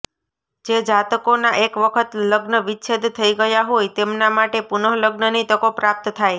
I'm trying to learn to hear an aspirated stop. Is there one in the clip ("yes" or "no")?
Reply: yes